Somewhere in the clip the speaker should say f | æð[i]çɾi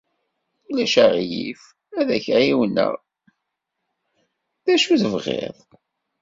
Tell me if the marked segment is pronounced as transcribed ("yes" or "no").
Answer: no